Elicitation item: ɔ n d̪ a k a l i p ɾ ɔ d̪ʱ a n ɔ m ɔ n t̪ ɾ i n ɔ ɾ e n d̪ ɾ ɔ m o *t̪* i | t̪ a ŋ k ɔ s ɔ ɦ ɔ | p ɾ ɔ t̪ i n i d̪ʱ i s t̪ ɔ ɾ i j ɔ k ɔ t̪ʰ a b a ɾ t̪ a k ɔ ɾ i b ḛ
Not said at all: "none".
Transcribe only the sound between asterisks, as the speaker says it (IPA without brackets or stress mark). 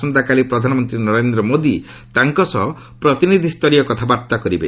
d̪